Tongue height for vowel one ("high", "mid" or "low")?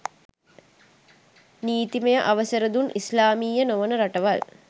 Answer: high